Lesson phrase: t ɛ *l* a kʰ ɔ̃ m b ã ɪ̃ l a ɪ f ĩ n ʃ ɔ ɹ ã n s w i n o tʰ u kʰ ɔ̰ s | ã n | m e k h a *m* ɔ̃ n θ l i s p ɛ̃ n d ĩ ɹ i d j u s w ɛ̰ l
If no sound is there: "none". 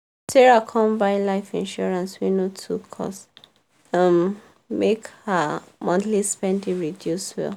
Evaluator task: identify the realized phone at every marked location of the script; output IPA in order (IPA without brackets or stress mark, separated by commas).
ɹ, m